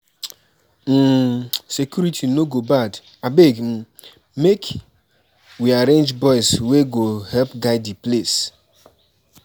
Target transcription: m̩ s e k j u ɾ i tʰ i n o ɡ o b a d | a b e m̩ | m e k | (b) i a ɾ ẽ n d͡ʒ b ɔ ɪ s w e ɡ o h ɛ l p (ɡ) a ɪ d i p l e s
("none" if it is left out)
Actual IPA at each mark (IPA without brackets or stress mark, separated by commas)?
w, ɡ